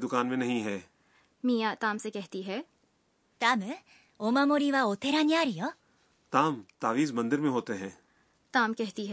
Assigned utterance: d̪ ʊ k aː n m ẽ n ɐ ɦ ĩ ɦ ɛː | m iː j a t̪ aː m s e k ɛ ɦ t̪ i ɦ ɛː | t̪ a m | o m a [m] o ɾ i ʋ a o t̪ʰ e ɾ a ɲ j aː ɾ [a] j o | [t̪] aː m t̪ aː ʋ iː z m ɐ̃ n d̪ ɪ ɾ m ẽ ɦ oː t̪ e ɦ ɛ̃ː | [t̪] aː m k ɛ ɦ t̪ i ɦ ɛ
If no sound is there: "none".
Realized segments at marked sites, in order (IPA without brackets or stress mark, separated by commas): m, i, t̪, t̪